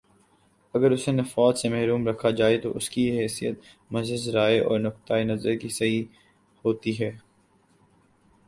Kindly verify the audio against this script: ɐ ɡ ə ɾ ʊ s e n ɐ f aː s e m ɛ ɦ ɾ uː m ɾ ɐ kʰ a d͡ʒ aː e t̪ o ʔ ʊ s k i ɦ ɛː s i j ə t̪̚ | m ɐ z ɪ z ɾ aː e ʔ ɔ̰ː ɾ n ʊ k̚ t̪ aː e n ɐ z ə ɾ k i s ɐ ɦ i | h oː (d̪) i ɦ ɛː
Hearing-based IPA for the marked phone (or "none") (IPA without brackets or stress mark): t̪